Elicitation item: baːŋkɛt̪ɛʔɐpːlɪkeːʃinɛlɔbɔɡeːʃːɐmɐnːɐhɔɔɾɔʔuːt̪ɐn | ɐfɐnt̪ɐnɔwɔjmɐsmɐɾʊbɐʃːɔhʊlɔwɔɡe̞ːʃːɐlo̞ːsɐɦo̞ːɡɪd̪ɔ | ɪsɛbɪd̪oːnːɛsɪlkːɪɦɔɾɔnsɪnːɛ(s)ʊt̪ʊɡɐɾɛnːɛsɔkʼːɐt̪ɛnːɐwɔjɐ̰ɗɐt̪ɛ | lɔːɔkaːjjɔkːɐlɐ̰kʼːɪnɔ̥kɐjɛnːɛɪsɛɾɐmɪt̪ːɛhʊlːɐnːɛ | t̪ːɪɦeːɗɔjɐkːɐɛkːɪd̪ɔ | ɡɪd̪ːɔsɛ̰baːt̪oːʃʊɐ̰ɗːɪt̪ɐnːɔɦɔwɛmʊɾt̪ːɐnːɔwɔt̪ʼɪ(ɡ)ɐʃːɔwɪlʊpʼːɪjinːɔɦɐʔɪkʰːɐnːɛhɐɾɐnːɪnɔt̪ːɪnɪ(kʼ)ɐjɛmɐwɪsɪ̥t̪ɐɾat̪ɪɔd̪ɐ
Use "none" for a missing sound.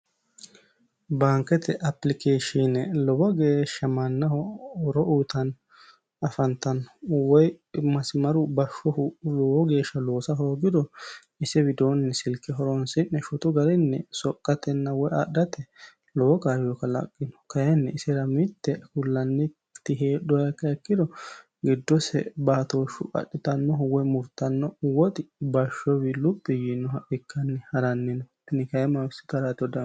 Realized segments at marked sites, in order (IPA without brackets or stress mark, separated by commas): ʃ, b, k